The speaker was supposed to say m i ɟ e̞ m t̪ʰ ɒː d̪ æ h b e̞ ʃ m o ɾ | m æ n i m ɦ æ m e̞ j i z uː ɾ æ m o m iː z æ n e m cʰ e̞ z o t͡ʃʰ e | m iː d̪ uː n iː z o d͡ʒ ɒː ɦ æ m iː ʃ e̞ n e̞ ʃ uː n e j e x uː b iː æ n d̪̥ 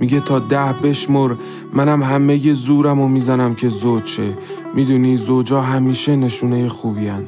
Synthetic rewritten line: m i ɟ e̞ t̪ʰ ɒː d̪ æ h b e̞ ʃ m o ɾ | m æ n æ m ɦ æ m e̞ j e z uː ɾ æ m o m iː z æ n æ m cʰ e̞ z o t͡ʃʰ e | m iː d̪ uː n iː z o d͡ʒ ɒː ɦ æ m iː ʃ e̞ n e̞ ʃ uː n e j e x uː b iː æ n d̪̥